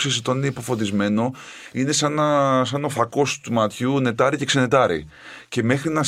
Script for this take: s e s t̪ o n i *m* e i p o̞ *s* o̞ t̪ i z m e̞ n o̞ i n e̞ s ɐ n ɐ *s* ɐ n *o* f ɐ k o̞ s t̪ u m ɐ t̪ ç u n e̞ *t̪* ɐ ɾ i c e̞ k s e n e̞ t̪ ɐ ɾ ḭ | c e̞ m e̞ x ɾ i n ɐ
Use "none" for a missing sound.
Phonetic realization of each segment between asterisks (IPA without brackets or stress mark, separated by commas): n, f, s, o, t̪